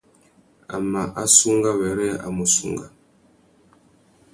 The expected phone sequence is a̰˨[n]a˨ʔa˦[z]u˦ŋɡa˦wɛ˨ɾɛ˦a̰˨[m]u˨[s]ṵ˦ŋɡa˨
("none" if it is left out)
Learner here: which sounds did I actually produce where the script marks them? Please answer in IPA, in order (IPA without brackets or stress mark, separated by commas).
m, s, m, s